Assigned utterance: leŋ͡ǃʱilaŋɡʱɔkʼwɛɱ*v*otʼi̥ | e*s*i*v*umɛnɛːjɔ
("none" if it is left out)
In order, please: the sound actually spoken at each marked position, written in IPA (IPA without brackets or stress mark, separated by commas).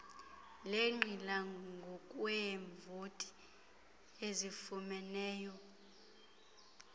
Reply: v, z, f